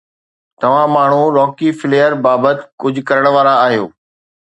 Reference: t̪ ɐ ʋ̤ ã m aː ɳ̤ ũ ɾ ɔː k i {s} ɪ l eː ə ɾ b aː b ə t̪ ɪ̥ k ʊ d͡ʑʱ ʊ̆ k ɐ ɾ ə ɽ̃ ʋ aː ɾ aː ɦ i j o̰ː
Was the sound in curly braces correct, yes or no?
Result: no